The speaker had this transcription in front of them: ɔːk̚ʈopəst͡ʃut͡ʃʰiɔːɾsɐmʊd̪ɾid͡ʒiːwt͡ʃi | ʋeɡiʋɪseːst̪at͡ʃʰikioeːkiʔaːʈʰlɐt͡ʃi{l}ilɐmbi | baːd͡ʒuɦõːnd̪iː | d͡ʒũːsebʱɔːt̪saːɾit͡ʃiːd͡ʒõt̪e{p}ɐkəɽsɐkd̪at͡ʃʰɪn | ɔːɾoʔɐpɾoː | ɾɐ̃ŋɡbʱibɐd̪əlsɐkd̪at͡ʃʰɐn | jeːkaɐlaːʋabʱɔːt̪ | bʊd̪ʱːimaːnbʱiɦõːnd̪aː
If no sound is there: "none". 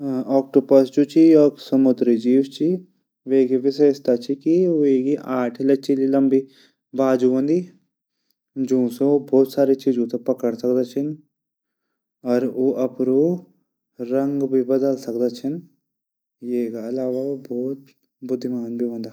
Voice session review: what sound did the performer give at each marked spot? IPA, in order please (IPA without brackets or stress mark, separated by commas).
l, p